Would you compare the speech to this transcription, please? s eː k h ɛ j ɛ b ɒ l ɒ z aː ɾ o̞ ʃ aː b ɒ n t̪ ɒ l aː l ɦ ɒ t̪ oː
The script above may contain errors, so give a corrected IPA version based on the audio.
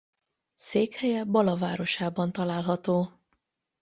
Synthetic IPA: s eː k h ɛ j ɛ b ɒ l ɒ v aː ɾ o̞ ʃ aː b ɒ n t̪ ɒ l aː l ɦ ɒ t̪ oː

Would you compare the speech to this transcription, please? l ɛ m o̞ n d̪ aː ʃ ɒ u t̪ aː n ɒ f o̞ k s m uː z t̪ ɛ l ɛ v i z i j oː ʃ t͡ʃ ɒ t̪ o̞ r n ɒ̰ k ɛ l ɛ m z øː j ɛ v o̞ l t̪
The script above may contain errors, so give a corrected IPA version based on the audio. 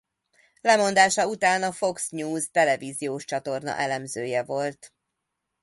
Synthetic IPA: l ɛ m o̞ n d̪ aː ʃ ɒ u t̪ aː n ɒ f o̞ k s ɲ uː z t̪ ɛ l ɛ v i z i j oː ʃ t͡ʃ ɒ t̪ o̞ r n ɒ̰ ʔ ɛ l ɛ m z øː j ɛ v o̞ l t̪

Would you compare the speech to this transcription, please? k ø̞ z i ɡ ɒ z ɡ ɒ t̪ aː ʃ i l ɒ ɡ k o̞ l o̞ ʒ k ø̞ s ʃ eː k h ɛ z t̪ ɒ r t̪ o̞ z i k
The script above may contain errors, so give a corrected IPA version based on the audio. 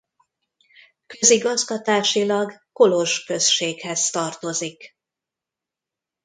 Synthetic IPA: k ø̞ z i ɡ ɒ z ɡ ɒ t̪ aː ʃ i l ɒ ɡ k o̞ l o̞ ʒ k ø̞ s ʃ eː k h ɛ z t̪ ɒ r t̪ o̞ z i k

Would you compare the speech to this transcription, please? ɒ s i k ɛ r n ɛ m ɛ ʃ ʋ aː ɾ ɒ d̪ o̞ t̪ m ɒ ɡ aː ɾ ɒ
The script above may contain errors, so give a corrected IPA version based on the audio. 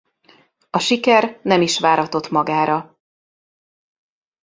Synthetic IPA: ɒ ʃ i k ɛ r n ɛ m i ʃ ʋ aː ɾ ɒ t̪ o̞ t̪ m ɒ ɡ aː ɾ ɒ

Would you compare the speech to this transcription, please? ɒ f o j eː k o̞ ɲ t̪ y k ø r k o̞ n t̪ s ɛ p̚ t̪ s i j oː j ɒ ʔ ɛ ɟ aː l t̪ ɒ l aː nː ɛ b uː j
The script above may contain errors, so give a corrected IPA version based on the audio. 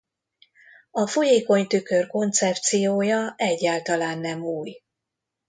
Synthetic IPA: ɒ f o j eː k o̞ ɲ t̪ y k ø r k o̞ n t̪ s ɛ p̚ t̪ s i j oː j ɒ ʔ ɛ ɟː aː l t̪ ɒ l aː nː ɛ m uː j

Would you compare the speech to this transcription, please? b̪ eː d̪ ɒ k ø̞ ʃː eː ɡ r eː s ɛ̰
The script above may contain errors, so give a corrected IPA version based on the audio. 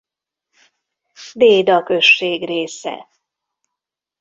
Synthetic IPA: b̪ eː d̪ ɒ k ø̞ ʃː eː ɡ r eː s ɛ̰

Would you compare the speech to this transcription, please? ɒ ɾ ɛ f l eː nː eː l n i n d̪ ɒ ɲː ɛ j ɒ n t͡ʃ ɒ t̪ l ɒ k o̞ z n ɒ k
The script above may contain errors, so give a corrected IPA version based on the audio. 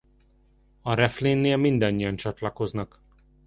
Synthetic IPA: ɒ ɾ ɛ f l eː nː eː l m i n d̪ ɒ ɲː i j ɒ n t͡ʃ ɒ t̪ l ɒ k o̞ z n ɒ k

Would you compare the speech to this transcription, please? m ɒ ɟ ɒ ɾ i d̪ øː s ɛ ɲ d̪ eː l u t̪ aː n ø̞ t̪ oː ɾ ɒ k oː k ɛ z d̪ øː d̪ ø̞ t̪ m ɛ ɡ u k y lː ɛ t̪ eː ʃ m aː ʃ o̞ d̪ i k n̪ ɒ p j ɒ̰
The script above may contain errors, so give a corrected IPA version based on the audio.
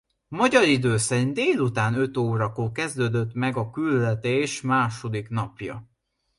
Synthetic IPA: m ɒ ɟ ɒ ɾ i d̪ øː s ɛ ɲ d̪ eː l u t̪ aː n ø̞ t̪ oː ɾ ɒ k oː k ɛ z d̪ øː d̪ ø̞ t̪ m ɛ ɡ ɒ k y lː ɛ t̪ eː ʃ m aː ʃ o̞ d̪ i k n̪ ɒ p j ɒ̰

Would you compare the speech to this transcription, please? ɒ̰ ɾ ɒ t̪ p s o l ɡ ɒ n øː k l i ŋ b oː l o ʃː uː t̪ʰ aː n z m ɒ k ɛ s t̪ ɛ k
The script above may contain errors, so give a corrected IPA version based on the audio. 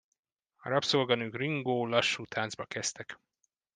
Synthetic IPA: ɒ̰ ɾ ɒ p s o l ɡ ɒ n øː k r i ŋ ɡ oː l ɒ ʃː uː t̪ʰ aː n z b ɒ k ɛ s t̪ ɛ k

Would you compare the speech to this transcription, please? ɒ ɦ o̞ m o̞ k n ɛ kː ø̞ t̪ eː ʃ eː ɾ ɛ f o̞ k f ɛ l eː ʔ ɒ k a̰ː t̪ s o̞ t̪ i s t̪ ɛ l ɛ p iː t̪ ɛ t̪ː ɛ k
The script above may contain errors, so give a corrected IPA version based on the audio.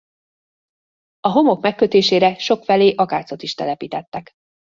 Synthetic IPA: ɒ ɦ o̞ m o̞ k m ɛ kː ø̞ t̪ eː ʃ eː ɾ ɛ ʃ o̞ k f ɛ l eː ʔ ɒ k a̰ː t̪ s o̞ t̪ i ʃ t̪ ɛ l ɛ p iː t̪ ɛ t̪ː ɛ k

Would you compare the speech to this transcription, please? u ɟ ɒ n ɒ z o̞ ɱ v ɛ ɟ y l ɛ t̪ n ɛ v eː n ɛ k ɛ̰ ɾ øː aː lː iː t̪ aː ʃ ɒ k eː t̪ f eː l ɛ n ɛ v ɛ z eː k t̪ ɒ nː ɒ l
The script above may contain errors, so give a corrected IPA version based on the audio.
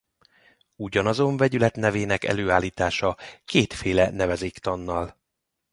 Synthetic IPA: u ɟ ɒ n ɒ z o̞ ɱ v ɛ ɟ y l ɛ t̪ n ɛ v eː n ɛ k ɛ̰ l øː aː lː iː t̪ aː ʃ ɒ k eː t̪ f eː l ɛ n ɛ v ɛ z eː k t̪ ɒ nː ɒ l

